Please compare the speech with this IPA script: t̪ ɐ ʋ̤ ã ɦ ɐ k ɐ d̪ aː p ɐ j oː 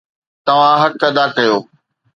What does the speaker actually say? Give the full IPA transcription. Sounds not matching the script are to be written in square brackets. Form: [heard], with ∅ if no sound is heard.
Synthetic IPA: t̪ ɐ ʋ̤ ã ɦ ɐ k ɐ d̪ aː [k] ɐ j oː